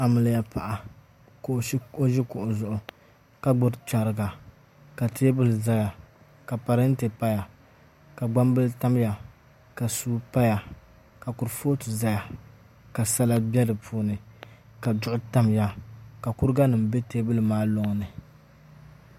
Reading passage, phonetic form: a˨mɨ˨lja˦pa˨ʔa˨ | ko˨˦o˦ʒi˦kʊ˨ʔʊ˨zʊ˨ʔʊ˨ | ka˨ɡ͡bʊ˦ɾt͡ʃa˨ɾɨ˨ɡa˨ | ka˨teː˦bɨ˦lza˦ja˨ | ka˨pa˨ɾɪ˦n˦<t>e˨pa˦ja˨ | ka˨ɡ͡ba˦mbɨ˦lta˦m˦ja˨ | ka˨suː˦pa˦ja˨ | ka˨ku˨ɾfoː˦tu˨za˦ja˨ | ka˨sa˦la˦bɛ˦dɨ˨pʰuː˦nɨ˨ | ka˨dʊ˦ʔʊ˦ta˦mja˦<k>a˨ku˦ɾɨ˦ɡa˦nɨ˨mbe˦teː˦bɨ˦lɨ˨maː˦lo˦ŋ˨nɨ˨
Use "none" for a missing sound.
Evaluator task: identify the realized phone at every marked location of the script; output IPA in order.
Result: t, k

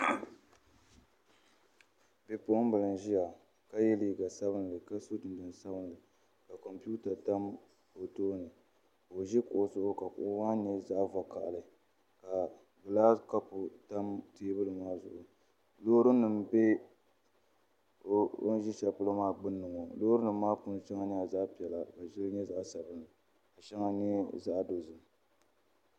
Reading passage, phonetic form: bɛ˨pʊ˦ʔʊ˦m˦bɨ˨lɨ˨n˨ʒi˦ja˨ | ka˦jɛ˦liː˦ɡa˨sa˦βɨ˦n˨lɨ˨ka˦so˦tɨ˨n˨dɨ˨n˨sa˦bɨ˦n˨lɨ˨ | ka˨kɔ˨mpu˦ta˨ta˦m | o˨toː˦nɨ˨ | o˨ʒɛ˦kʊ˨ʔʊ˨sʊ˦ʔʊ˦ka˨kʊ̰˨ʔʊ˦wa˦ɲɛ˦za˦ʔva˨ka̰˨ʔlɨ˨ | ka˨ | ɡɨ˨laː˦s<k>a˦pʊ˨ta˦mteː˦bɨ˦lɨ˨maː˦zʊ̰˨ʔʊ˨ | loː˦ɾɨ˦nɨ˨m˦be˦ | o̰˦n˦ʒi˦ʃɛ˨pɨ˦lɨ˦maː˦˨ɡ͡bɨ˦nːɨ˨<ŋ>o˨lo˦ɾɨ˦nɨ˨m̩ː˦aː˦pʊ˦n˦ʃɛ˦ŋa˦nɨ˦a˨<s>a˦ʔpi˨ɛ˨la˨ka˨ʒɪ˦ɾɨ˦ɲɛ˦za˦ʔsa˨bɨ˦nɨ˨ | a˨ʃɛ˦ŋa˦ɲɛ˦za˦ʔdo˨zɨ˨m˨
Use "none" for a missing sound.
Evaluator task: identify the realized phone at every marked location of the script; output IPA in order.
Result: k, ŋ, z

